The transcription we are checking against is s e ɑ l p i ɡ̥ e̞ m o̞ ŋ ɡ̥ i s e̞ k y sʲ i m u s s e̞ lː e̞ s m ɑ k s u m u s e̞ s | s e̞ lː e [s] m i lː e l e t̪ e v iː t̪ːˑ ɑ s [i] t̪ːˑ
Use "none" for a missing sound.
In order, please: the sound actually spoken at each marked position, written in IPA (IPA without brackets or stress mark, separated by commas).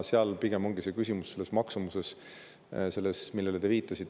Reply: s, i